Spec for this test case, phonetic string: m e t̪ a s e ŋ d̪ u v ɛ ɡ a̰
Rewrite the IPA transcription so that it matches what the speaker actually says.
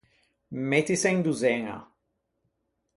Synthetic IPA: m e t̪ i s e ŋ d̪ u z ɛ ŋ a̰